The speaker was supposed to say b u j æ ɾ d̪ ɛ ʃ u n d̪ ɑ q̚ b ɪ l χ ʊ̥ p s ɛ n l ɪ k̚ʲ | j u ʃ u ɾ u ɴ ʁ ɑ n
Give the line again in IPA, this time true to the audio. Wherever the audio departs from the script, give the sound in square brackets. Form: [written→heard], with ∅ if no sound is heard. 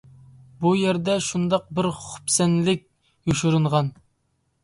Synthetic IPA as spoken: b u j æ ɾ d̪ ɛ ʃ u n d̪ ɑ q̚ b ɪ [l→ɾ] χ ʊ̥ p s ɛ n l ɪ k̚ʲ | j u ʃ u ɾ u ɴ ʁ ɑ n